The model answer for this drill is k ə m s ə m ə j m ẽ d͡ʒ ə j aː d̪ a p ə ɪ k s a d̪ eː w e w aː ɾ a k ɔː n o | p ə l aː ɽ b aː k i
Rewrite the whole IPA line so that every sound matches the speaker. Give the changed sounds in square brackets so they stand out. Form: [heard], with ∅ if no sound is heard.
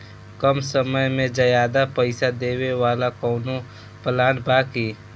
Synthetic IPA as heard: k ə m s ə m ə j m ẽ d͡ʒ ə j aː d̪ a p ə ɪ [∅] s a d̪ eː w e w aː [l] a k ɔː n o | p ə l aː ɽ b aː k i